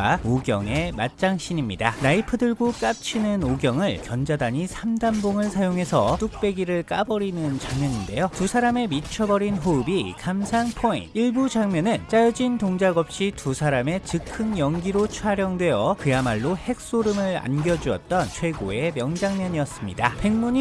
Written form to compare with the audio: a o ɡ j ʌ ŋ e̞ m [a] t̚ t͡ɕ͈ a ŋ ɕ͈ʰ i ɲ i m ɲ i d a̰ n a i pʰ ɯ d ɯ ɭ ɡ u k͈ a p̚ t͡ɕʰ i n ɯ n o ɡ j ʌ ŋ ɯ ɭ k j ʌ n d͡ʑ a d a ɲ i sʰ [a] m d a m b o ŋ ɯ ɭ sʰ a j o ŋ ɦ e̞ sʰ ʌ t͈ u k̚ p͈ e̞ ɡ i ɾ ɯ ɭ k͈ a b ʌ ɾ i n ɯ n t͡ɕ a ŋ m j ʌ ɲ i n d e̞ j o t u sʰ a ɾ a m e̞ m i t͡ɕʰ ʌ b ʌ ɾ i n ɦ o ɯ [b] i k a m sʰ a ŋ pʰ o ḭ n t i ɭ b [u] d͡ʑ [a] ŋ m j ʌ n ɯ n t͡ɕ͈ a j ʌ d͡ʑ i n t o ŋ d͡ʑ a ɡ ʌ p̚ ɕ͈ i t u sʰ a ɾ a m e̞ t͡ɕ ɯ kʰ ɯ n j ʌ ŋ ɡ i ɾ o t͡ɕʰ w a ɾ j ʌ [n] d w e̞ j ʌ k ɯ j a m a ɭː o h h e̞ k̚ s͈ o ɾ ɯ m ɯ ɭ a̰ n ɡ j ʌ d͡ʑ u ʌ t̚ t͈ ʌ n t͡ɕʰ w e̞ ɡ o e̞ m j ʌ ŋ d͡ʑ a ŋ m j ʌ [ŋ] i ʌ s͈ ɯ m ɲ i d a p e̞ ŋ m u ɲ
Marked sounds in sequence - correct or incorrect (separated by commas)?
correct, correct, correct, correct, correct, incorrect, incorrect